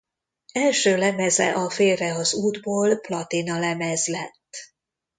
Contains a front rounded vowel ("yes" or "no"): yes